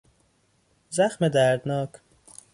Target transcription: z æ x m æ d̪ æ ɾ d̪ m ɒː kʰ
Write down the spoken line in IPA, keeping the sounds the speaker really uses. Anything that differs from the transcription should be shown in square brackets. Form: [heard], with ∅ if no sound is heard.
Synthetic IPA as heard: z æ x m [e] d̪ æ ɾ d̪ [n] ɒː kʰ